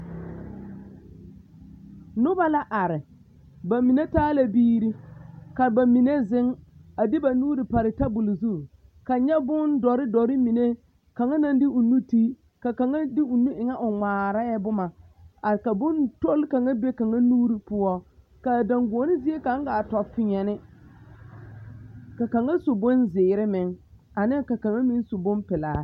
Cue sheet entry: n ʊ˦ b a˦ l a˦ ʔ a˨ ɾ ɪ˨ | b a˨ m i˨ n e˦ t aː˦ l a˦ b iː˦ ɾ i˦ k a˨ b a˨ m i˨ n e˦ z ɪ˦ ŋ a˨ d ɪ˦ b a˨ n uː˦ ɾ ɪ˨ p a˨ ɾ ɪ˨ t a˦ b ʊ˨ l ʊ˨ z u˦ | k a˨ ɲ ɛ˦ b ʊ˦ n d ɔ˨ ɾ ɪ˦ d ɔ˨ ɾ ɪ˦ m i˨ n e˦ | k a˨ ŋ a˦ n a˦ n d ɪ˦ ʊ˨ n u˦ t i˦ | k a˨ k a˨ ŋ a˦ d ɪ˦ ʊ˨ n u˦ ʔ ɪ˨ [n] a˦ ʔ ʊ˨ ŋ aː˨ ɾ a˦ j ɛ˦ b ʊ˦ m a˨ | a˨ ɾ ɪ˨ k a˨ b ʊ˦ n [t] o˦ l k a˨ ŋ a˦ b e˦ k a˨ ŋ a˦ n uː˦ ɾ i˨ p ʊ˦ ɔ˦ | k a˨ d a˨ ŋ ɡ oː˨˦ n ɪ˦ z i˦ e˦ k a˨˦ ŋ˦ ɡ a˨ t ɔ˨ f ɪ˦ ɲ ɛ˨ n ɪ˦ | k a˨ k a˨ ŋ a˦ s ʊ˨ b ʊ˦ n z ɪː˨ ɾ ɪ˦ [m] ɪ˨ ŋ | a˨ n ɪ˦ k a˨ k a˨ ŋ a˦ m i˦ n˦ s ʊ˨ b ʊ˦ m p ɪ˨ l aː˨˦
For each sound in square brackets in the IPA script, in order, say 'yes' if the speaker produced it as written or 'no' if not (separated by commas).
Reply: no, yes, yes